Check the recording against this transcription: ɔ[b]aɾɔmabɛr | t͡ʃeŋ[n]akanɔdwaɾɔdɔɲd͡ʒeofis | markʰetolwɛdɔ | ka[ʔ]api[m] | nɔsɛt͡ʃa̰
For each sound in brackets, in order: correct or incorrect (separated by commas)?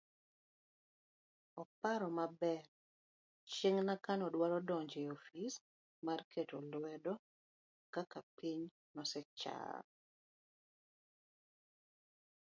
incorrect, correct, incorrect, incorrect